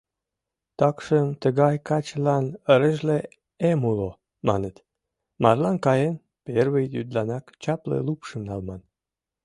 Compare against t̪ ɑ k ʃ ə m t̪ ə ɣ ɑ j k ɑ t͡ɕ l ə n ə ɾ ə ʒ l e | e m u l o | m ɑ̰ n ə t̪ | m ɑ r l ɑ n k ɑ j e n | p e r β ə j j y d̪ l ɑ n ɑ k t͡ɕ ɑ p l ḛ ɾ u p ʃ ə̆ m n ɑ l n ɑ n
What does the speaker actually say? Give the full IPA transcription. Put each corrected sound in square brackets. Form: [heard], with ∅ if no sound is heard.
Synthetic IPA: t̪ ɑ k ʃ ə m t̪ ə ɣ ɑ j k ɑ t͡ɕ l [ɑ] n ə ɾ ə ʒ l e | e m u l o | m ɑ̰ n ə t̪ | m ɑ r l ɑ n k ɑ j e n | p e r β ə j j y d̪ l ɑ n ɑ k t͡ɕ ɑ p l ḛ [l] u p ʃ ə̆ m n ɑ l [m] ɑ n